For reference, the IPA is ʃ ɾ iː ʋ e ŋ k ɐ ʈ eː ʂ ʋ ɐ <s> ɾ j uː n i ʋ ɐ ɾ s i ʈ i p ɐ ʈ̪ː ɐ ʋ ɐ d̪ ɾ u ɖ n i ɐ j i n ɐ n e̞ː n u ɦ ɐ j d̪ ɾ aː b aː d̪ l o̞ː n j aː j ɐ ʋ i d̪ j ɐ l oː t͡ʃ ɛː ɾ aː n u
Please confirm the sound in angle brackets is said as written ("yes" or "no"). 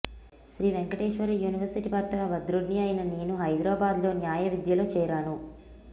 no